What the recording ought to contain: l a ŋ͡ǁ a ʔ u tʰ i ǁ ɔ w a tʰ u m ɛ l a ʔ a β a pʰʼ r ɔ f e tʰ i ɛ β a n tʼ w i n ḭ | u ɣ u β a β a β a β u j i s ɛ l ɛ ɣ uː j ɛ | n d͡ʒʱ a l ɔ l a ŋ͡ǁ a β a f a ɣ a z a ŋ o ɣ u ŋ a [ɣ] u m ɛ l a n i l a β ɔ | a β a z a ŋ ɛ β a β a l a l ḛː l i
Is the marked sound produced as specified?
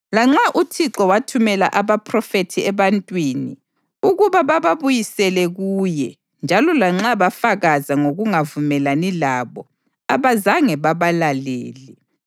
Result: no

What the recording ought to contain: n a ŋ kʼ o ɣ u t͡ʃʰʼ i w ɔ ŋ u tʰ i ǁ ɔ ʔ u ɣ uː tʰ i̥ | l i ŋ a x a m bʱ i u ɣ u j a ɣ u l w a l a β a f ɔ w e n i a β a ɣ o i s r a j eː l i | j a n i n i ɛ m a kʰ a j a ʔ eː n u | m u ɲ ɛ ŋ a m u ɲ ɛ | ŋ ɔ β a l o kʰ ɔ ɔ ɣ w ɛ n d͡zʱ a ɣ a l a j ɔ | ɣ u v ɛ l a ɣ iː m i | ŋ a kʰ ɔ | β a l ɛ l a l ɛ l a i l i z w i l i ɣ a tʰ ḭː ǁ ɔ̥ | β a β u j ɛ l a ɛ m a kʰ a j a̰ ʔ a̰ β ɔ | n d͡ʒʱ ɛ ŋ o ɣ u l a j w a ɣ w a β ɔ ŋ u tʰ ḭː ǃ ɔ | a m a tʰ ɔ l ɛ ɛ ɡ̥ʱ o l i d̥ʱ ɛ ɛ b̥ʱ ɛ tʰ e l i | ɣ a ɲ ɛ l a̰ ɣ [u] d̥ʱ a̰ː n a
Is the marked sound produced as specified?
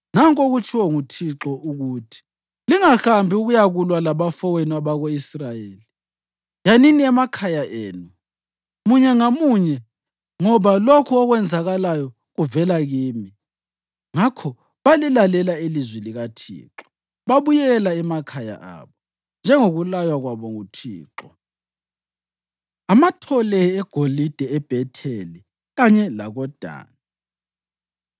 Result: no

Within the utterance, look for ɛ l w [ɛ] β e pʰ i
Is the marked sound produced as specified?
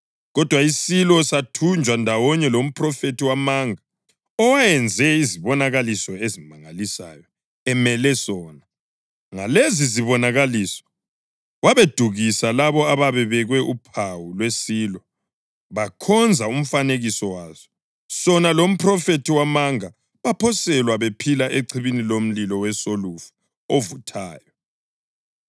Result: no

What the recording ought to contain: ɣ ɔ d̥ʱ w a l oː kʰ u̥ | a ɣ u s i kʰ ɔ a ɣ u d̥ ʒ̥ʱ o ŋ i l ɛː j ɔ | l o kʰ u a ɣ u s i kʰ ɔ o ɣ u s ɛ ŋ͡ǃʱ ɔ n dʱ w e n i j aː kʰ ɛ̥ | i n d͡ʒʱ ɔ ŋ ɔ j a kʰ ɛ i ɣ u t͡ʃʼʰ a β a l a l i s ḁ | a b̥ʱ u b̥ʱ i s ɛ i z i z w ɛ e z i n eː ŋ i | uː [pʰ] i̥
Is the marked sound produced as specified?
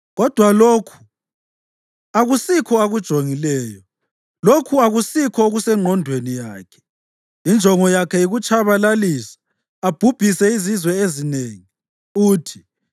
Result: no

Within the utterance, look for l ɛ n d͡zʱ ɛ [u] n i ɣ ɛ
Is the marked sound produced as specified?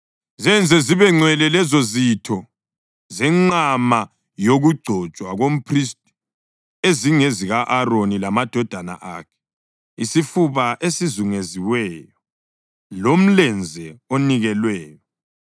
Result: no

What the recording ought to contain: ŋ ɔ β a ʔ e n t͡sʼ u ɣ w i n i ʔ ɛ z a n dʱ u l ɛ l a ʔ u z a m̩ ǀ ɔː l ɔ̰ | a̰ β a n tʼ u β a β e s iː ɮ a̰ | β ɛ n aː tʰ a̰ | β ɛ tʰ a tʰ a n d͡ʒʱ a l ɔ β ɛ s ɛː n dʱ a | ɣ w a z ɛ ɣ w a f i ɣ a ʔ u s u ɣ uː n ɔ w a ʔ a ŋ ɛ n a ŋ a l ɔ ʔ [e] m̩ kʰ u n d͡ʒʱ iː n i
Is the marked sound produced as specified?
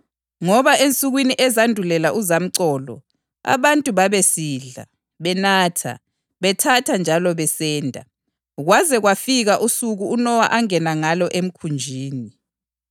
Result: yes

